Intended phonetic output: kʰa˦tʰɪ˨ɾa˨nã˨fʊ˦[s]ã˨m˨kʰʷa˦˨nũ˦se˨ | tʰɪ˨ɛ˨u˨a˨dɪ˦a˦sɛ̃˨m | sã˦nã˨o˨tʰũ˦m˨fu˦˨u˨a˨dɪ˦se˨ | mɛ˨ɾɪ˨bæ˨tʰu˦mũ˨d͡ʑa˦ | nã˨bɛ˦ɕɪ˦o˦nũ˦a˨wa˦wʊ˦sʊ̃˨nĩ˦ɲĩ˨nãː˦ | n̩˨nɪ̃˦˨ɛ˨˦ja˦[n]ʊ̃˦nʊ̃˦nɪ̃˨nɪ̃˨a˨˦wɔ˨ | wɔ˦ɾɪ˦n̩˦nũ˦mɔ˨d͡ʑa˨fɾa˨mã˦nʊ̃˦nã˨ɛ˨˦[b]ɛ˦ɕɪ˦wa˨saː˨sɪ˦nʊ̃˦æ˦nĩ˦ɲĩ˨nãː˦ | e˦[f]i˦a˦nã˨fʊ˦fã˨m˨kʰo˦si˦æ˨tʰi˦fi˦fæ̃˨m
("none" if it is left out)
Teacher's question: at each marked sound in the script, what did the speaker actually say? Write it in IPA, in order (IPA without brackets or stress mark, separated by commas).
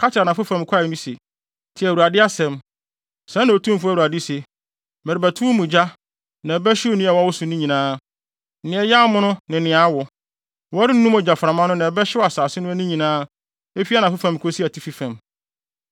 f, m, b, f